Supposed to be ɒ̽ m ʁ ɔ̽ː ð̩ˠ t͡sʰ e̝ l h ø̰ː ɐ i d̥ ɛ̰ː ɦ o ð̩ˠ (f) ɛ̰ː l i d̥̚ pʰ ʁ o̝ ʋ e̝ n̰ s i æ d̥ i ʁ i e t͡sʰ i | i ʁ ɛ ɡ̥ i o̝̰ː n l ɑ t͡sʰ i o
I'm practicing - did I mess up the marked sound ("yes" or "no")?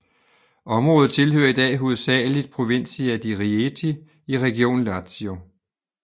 yes